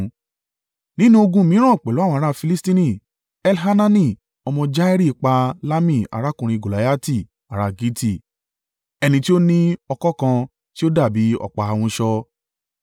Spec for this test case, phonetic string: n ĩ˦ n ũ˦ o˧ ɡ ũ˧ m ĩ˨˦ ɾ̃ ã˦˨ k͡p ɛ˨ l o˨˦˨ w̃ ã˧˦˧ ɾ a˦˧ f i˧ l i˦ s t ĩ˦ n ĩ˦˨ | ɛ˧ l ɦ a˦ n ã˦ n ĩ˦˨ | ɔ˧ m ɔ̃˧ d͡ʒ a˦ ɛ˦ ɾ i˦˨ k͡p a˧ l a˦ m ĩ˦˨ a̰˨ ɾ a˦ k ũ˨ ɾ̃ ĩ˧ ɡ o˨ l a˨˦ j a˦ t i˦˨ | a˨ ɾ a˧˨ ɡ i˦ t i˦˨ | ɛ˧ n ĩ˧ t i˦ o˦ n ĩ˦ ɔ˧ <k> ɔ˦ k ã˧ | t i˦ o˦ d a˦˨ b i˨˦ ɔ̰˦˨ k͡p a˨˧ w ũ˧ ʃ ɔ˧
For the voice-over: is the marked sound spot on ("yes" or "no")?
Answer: yes